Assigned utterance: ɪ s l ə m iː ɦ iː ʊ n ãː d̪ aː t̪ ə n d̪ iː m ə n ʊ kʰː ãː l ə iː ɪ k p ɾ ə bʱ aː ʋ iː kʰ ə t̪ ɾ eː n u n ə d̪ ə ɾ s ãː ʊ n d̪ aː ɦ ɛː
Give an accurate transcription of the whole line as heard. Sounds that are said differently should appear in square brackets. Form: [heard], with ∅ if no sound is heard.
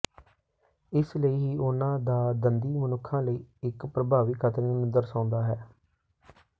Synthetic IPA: ɪ s l ə [∅] iː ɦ iː ʊ n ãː d̪ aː [d̪] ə n d̪ iː m ə n ʊ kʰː ãː l ə iː ɪ k p ɾ ə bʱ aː ʋ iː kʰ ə t̪ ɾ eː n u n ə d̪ ə ɾ s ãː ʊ n d̪ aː ɦ ɛː